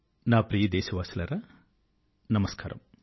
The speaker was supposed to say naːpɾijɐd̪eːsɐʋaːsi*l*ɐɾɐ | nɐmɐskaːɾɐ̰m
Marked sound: correct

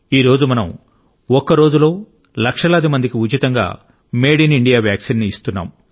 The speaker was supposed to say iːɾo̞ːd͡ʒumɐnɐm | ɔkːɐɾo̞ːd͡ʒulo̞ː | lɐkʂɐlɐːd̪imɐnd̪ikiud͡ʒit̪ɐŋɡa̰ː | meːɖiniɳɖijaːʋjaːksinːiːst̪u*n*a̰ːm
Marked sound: incorrect: nː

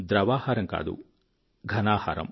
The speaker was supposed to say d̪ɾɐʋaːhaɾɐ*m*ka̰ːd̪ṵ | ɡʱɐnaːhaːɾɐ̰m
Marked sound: incorrect: ŋ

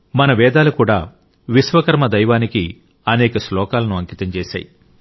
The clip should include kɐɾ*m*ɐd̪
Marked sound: correct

